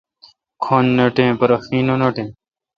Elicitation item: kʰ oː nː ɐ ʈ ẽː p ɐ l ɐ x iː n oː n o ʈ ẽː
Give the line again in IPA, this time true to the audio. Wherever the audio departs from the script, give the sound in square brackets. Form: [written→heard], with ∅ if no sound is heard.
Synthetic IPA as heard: kʰ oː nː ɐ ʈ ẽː p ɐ [l→ɾ] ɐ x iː n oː n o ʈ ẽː